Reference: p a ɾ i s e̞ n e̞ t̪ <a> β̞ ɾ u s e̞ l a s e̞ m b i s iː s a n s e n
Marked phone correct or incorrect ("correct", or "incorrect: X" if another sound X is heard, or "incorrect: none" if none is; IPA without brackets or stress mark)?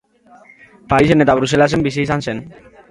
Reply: correct